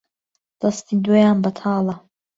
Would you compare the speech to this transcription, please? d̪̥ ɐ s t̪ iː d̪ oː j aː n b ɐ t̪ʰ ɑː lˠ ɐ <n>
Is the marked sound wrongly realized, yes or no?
yes